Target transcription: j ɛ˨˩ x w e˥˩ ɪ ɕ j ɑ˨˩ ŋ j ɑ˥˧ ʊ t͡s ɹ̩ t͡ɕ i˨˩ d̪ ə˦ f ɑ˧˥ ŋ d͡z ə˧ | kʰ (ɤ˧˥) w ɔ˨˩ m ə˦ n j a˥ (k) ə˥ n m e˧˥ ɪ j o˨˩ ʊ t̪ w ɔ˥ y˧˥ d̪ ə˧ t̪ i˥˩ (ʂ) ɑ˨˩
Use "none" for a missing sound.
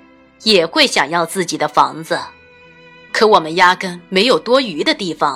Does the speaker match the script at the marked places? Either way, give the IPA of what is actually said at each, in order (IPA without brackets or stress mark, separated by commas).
ɤ˧˥, k, f